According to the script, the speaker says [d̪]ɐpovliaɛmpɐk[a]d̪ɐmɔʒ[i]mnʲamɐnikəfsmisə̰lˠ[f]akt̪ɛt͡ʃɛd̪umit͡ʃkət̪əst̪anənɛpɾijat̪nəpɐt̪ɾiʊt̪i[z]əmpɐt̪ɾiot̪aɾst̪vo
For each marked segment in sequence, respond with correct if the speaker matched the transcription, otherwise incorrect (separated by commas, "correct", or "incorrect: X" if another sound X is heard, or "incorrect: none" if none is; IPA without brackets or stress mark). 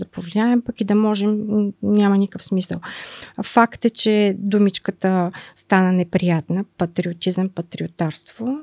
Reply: correct, incorrect: i, incorrect: ɛ, correct, correct